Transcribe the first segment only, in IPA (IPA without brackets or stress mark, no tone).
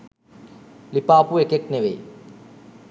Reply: l